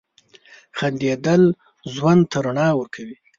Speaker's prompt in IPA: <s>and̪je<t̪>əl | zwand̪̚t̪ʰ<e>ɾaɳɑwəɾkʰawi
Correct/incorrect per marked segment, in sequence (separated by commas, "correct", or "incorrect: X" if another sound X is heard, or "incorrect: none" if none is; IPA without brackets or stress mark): incorrect: x, incorrect: d̪, incorrect: a